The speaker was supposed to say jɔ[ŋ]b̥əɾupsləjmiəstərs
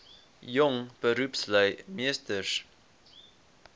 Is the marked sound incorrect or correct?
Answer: correct